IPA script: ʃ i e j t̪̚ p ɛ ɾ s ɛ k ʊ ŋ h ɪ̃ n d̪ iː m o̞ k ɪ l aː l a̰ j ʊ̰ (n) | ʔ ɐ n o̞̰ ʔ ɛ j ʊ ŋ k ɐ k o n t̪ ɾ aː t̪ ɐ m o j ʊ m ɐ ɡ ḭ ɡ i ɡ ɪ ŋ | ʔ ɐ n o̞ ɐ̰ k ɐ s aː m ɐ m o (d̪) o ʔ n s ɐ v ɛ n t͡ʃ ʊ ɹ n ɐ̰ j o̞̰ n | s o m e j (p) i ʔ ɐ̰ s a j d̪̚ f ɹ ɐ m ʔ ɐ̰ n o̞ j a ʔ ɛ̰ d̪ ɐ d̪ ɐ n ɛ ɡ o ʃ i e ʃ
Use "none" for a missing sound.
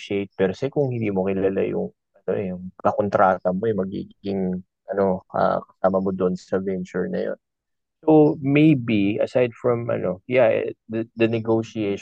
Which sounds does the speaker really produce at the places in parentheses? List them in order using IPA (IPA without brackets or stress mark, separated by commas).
ŋ, d̪, b